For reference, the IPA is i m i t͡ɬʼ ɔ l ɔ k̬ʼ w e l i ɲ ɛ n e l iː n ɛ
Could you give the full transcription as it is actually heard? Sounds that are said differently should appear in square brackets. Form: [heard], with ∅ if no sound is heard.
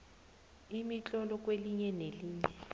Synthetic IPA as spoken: i m i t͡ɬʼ ɔ l ɔ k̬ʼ w e l i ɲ ɛ n e l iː [ɲ] ɛ